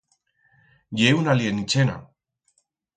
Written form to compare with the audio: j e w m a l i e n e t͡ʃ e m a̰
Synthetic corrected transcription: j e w n a l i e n i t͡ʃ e n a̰